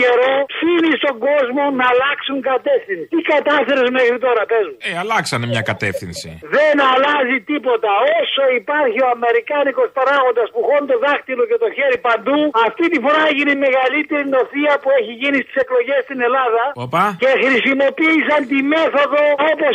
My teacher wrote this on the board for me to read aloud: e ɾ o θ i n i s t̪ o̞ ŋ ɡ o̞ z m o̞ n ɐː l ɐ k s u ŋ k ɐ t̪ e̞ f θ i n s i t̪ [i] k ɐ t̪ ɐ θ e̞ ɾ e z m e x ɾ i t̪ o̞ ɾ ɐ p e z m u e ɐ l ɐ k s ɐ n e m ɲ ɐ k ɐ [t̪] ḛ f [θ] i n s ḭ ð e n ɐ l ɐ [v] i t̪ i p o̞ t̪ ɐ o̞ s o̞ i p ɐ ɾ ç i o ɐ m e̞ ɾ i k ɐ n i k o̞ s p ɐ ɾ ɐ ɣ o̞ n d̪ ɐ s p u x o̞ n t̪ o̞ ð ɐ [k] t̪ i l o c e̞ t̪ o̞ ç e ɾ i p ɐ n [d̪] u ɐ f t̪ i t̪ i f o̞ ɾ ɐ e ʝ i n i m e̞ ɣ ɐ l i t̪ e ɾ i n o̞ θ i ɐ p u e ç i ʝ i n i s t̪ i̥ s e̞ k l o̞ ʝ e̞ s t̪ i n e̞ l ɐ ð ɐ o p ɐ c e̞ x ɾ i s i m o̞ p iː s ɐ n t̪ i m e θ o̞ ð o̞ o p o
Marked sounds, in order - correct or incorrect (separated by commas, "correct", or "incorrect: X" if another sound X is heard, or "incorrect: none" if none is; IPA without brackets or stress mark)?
correct, correct, correct, incorrect: z, incorrect: x, correct